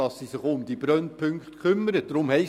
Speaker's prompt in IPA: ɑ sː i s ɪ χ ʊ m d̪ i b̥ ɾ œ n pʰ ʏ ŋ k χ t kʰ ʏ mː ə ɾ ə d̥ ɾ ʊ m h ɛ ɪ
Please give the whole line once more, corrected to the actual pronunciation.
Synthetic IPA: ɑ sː i s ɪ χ ʊ m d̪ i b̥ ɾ œ n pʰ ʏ ŋ k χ t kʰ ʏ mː ə ɾ ə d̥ ɾ ʊ m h ɛ ɪ